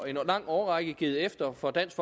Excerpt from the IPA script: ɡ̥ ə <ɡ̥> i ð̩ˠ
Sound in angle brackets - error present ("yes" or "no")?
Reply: no